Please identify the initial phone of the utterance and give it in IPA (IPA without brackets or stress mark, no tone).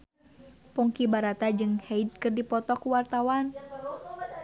p